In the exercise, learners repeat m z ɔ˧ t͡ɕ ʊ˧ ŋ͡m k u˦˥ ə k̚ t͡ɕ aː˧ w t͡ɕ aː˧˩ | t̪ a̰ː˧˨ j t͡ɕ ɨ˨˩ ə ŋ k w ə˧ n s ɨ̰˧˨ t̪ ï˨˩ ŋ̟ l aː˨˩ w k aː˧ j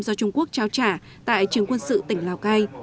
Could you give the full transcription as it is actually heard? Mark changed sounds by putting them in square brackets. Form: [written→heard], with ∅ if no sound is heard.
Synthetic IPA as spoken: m z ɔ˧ t͡ɕ ʊ˧ ŋ͡m k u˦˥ ə k̚ t͡ɕ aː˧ w t͡ɕ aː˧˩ | t̪ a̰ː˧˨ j t͡ɕ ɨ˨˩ ə ŋ k w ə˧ n s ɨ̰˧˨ t̪ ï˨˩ ŋ̟ l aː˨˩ w k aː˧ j